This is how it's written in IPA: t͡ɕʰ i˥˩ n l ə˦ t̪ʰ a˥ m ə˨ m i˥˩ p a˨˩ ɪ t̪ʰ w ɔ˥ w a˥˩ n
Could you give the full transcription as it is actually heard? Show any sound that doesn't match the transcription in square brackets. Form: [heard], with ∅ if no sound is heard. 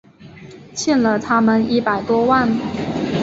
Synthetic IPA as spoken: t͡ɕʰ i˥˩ n l [ə˨˩] t̪ʰ a˥ m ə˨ [n] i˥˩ p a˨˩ ɪ [t̪] w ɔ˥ w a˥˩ n